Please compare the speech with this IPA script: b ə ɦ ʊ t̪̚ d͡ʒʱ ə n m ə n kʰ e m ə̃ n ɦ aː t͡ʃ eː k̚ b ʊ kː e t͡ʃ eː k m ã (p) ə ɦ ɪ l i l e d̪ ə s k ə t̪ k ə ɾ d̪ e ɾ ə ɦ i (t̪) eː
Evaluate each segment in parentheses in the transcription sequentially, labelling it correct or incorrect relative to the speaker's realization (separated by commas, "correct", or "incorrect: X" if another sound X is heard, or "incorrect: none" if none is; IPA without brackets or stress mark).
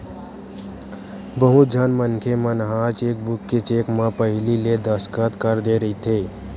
correct, incorrect: t̪ʰ